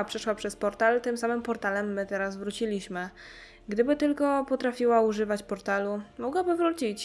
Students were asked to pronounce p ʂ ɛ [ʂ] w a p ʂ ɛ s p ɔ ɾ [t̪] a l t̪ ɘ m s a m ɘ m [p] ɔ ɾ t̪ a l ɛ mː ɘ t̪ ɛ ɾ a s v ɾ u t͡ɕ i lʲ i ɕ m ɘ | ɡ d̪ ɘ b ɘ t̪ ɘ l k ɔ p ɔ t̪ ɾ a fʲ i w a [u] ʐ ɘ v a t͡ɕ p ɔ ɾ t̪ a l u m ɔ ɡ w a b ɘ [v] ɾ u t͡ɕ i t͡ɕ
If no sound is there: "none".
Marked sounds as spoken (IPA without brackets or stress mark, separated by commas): ʂ, t̪, p, u, v